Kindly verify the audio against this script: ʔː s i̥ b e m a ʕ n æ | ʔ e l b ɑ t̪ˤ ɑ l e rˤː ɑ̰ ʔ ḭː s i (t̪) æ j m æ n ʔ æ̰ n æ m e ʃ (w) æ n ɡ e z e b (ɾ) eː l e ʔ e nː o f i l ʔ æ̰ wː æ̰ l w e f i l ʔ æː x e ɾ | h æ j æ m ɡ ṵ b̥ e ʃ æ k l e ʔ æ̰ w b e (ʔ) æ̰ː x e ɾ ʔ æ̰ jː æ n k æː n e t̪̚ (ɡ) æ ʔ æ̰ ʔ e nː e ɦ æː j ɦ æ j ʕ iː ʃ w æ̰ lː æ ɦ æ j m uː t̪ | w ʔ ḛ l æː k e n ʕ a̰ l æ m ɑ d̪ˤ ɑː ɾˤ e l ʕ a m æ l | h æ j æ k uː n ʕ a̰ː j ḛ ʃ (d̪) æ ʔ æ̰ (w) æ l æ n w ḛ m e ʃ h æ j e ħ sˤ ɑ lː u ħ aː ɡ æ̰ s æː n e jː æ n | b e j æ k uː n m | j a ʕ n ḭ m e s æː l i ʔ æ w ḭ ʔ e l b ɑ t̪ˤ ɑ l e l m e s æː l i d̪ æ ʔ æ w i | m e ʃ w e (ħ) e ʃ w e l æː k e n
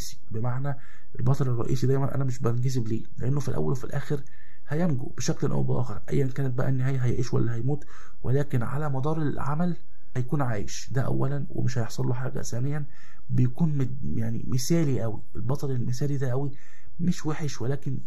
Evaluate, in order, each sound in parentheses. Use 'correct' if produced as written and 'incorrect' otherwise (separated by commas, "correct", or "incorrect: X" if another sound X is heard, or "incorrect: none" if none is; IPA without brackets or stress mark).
incorrect: d̪, incorrect: b, incorrect: l, correct, incorrect: b, correct, incorrect: wː, correct